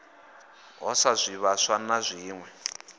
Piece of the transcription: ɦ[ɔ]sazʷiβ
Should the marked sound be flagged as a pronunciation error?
no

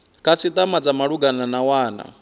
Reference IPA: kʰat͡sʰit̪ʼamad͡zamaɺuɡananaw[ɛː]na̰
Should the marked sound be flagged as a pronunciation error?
yes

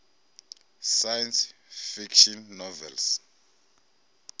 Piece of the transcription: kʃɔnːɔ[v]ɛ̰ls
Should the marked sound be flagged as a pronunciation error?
no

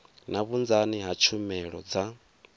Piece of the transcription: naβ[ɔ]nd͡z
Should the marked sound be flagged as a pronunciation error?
yes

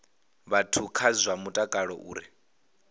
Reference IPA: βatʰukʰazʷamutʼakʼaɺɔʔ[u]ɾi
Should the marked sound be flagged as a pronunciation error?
yes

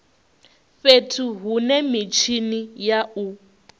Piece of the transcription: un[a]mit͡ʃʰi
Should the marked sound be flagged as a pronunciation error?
yes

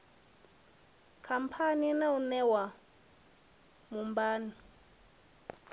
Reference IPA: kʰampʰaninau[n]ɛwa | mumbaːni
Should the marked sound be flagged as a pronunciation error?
no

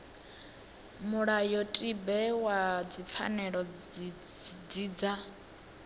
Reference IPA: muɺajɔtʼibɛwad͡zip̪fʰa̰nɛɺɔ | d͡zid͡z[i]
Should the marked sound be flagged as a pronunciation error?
yes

